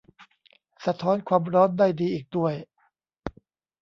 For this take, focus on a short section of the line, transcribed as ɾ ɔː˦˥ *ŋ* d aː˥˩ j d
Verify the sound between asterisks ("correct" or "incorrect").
incorrect